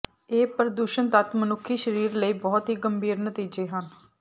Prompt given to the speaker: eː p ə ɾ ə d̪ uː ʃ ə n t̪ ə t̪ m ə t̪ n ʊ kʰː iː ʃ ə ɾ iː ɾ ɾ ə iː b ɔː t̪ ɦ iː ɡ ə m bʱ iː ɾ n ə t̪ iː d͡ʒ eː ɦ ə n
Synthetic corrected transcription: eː p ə ɾ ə d̪ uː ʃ ə n t̪ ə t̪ m ə n ʊ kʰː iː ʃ ə ɾ iː ɾ l ə iː b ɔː t̪ ɦ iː ɡ ə m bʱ iː ɾ n ə t̪ iː d͡ʒ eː ɦ ə n